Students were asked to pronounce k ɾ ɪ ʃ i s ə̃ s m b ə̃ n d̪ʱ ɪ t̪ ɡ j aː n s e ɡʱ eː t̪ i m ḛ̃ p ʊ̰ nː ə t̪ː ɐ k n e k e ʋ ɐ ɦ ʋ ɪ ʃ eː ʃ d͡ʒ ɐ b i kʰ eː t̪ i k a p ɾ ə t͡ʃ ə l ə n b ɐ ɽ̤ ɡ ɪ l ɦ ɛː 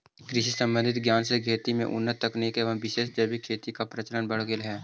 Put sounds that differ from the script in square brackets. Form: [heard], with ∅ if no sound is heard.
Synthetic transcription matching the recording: k ɾ ɪ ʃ i s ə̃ [∅] m b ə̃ n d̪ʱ ɪ t̪ ɡ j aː n s e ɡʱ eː t̪ i m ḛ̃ [ʔ] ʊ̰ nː ə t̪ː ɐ k n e k e ʋ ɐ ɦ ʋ ɪ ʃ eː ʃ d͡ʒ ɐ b i kʰ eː t̪ i k a p ɾ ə t͡ʃ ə l ə n b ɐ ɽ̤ ɡ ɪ l ɦ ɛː